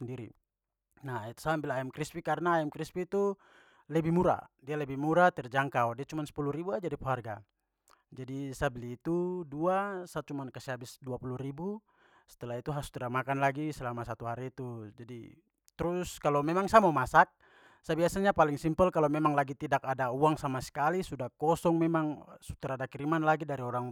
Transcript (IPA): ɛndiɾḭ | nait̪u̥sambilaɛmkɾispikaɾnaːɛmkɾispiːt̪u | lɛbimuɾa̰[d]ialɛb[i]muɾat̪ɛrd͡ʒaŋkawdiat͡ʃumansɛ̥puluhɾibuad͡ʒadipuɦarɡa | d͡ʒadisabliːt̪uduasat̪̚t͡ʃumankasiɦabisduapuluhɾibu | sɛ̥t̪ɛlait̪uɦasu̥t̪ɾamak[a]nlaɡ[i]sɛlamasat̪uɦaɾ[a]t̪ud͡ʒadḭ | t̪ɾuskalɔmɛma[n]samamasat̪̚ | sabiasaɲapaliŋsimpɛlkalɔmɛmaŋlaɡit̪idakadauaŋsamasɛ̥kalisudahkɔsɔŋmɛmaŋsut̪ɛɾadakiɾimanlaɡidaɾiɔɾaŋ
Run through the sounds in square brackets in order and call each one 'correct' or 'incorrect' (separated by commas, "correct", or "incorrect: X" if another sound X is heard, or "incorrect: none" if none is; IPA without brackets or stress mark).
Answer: correct, correct, correct, correct, incorrect: i, incorrect: ŋ